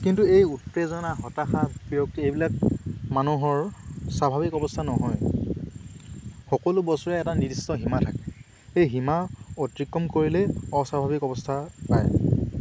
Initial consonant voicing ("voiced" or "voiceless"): voiceless